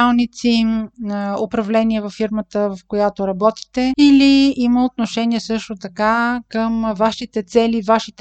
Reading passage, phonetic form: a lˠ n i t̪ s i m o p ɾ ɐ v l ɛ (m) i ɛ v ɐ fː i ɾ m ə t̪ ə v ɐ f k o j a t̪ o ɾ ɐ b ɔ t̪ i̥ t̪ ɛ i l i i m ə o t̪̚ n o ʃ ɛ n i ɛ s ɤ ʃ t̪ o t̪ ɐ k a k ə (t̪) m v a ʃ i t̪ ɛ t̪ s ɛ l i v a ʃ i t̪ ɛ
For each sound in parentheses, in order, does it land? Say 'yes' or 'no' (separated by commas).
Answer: no, no